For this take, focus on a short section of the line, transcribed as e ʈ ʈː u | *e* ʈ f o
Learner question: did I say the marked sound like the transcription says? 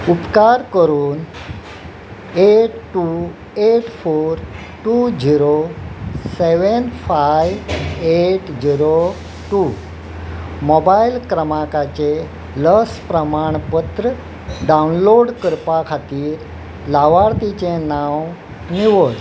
yes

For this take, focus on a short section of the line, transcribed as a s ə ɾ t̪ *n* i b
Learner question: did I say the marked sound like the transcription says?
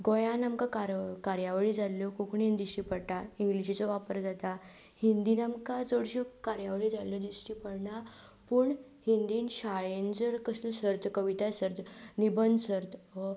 yes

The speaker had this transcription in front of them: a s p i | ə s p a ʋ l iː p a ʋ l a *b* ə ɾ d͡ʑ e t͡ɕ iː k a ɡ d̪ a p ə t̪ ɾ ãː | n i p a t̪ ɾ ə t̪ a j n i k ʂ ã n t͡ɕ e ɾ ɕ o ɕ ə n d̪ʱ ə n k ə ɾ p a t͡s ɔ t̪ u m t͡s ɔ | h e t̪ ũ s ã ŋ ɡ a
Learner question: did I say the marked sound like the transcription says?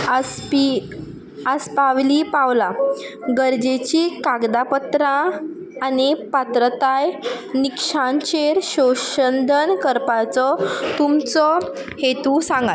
no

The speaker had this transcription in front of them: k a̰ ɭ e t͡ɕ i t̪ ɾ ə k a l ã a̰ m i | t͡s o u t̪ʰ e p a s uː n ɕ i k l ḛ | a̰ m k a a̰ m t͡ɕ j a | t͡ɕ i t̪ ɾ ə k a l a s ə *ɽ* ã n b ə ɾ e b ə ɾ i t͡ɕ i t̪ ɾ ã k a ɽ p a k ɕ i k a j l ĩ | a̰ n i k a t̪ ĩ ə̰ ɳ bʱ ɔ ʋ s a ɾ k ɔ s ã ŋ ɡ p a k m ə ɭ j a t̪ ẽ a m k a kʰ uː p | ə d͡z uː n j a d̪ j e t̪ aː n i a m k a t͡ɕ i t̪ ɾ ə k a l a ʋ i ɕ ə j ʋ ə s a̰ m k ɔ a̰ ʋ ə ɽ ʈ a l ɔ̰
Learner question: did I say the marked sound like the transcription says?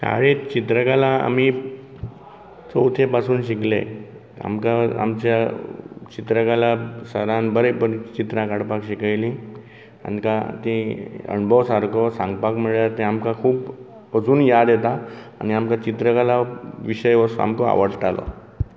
no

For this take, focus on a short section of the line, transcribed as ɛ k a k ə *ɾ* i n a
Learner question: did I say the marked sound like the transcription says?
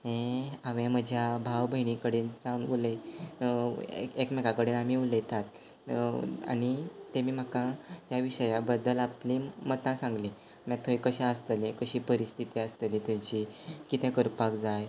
no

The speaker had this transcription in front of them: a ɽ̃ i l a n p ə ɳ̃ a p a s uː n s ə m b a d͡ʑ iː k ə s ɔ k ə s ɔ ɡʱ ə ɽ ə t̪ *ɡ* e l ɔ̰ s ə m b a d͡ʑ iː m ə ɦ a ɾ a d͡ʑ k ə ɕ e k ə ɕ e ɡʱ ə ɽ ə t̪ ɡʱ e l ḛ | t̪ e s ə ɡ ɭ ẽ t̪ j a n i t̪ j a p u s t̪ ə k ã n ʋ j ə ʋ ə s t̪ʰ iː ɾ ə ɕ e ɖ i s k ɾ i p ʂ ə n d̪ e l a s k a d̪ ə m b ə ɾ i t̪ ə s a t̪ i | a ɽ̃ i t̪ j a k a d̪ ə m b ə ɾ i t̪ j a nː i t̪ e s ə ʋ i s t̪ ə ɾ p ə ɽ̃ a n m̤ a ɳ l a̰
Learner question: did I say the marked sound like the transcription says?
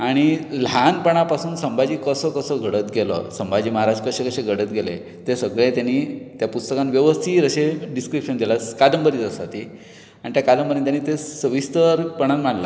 yes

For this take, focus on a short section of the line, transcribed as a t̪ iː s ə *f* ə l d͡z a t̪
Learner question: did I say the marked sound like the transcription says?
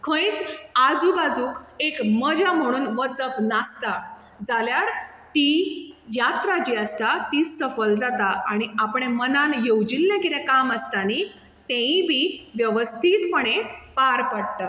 yes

